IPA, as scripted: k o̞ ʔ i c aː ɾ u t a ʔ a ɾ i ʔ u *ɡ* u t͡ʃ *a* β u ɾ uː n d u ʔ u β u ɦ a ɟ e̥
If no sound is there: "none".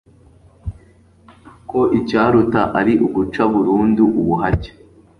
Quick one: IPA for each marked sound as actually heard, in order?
ɡ, a

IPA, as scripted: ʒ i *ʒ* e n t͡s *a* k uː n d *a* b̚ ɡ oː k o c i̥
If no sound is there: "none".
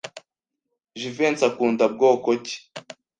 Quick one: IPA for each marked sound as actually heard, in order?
v, a, a

